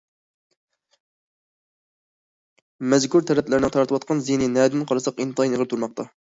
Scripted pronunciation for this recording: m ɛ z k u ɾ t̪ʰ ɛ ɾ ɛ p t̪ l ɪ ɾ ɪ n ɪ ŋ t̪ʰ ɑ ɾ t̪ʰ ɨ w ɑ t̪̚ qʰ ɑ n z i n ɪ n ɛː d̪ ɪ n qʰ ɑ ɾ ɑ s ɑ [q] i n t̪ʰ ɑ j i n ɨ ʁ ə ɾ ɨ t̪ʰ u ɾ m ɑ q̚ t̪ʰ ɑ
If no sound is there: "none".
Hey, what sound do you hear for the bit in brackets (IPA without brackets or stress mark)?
q